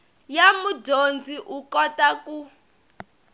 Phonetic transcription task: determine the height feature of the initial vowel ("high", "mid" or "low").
low